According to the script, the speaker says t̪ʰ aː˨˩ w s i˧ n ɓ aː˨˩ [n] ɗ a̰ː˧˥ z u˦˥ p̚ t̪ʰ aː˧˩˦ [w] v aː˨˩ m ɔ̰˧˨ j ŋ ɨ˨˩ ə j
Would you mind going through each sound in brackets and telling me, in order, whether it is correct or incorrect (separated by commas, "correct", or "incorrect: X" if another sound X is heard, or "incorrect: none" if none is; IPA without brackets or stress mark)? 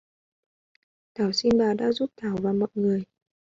incorrect: none, correct